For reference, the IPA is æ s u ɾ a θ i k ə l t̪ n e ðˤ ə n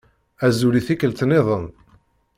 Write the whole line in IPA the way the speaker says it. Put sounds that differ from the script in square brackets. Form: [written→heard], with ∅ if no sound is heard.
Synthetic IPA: æ [s→z] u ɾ [a→i] θ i k ə l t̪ n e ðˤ ə n